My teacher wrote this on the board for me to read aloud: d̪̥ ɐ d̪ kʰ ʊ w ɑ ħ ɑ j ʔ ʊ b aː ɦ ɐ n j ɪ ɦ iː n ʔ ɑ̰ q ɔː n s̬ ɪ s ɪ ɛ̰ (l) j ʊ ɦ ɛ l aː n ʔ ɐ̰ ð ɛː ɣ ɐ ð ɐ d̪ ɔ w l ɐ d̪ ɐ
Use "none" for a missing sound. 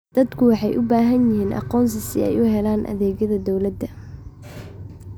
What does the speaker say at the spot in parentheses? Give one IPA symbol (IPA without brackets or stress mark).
none